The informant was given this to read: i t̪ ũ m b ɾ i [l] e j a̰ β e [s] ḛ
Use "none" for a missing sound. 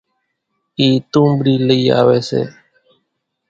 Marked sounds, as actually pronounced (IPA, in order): l, s

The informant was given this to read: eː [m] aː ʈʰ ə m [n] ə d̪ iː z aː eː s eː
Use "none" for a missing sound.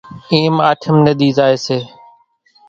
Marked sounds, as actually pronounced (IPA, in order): m, n

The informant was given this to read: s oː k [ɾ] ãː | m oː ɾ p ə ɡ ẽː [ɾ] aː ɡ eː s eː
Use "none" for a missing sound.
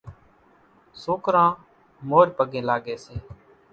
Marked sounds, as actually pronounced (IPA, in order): ɾ, l

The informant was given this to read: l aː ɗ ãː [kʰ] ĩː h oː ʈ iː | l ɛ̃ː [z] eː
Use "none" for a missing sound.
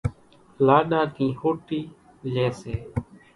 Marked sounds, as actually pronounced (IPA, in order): k, s

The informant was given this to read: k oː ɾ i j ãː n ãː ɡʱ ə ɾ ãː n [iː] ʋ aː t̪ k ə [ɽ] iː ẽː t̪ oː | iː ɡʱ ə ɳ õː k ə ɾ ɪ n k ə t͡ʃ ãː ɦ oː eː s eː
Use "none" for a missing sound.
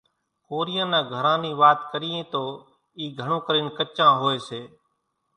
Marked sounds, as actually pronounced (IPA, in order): iː, ɾ

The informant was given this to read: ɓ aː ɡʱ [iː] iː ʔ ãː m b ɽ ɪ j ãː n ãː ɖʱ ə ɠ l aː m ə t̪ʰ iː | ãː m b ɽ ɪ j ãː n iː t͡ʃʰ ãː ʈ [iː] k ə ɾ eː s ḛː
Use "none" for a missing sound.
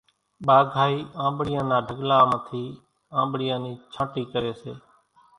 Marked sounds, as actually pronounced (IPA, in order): aː, iː

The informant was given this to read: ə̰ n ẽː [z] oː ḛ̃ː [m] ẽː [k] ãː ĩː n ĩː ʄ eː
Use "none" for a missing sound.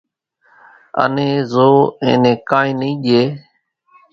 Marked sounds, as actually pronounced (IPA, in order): z, n, k

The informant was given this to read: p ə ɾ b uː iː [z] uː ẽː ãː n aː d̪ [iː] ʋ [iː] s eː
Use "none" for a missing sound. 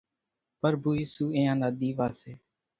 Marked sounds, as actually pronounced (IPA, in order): s, iː, aː

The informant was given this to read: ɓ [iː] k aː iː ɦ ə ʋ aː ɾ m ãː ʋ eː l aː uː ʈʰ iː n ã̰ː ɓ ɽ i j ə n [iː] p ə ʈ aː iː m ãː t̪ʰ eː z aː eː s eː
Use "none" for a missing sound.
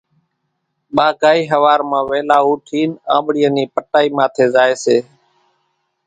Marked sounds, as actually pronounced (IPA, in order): aː, iː

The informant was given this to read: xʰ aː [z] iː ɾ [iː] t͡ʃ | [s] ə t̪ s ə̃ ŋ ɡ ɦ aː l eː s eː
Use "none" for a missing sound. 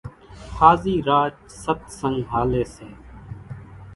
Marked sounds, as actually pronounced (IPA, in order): z, aː, s

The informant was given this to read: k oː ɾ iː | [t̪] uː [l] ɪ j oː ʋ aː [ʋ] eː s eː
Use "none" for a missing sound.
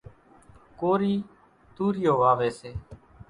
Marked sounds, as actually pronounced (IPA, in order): t̪, ɾ, ʋ

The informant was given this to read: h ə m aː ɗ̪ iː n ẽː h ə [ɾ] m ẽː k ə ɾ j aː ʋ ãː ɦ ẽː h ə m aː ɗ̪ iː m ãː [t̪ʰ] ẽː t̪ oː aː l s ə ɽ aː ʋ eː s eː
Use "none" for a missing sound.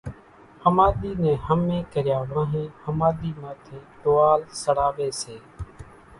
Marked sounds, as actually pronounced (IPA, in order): none, t̪ʰ

